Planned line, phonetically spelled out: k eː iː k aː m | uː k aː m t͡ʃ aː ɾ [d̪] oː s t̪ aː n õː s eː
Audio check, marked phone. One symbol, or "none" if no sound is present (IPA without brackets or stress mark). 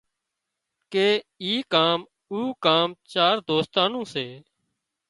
d̪